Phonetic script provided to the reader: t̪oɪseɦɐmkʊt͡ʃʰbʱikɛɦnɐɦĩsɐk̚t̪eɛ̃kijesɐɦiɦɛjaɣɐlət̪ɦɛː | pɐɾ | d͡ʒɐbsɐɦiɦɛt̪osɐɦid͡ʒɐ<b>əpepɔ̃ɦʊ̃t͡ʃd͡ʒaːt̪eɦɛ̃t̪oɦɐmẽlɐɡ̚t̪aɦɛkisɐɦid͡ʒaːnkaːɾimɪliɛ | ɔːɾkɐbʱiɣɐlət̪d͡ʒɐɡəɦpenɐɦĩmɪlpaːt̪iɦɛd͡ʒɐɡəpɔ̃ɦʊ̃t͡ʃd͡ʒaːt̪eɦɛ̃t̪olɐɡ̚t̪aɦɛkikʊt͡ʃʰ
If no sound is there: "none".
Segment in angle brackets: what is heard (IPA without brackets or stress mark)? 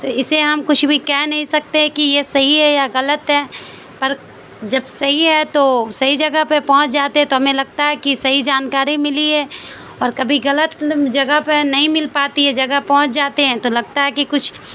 ɡ